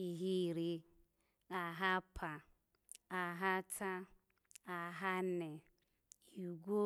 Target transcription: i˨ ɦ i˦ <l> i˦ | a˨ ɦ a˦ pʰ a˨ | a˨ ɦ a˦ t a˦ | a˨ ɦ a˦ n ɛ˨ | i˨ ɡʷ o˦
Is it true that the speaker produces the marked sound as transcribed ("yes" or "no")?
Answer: no